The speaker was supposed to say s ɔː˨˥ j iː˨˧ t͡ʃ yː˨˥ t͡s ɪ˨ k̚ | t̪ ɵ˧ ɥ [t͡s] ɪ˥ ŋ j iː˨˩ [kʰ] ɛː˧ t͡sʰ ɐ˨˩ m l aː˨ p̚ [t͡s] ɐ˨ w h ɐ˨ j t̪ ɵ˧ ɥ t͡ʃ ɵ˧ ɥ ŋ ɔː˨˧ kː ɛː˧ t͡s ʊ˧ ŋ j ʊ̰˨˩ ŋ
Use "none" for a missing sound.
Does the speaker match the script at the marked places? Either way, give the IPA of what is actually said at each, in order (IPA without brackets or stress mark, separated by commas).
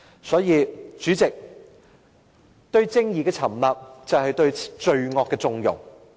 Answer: t͡s, k, t͡s